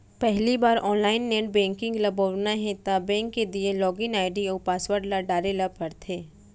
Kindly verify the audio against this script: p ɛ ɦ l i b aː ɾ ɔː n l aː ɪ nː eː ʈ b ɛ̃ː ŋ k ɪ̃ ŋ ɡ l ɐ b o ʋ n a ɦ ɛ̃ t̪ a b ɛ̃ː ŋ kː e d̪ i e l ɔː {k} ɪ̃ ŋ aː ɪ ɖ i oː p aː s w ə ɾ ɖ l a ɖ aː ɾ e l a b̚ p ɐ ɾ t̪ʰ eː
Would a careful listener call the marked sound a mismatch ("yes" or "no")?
yes